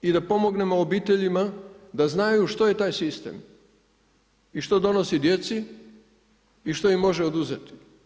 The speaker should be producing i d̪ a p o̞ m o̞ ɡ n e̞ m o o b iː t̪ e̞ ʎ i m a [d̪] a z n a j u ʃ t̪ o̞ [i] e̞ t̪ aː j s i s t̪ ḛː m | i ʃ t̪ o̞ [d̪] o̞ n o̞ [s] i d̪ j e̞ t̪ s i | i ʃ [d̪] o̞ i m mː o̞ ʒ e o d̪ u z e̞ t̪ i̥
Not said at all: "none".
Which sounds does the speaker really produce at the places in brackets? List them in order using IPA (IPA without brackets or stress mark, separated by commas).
d̪, j, d̪, s, t̪